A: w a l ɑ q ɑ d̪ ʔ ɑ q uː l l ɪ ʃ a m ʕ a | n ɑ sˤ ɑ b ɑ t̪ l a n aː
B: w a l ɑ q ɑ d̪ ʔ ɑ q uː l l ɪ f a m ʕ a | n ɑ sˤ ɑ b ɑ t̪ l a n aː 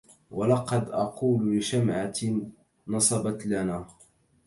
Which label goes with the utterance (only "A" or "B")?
A